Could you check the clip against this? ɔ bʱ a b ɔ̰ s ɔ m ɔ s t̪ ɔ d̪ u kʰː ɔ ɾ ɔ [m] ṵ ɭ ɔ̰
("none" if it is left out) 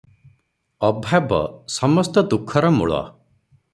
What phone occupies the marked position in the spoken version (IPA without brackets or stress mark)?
m